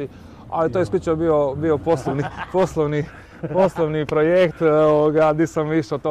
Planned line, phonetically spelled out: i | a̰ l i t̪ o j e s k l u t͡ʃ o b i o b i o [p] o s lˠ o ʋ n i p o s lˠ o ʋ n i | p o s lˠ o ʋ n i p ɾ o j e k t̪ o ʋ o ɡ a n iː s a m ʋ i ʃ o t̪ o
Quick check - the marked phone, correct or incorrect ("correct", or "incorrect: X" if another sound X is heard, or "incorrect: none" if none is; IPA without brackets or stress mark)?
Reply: correct